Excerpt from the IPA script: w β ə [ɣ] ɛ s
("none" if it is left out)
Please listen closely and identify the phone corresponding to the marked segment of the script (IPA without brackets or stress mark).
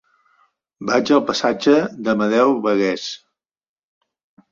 ɣ